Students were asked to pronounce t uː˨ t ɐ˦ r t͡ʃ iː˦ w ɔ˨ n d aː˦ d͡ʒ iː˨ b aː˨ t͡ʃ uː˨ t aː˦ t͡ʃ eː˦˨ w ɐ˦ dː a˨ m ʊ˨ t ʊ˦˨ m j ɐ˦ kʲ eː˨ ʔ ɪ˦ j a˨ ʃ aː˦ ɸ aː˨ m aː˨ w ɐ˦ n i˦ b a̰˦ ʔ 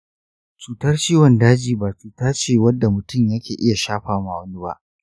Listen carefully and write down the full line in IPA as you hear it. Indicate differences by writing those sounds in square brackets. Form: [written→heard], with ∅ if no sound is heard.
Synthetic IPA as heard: [t→t͡ʃ] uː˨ t ɐ˦ r t͡ʃ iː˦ w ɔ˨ n d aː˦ d͡ʒ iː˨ b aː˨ t͡ʃ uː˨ t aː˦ t͡ʃ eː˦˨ w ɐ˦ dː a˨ m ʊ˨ t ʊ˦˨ m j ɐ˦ kʲ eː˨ ʔ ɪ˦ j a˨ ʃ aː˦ ɸ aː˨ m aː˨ w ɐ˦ n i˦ b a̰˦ ʔ